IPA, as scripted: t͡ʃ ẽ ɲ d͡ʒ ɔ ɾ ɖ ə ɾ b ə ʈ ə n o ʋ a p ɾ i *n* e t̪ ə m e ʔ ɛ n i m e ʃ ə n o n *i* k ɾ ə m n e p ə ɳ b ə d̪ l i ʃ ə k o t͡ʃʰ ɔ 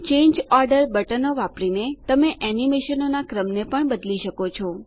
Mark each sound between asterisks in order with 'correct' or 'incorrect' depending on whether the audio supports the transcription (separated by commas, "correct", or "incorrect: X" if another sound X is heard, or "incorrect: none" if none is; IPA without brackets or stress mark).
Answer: correct, incorrect: a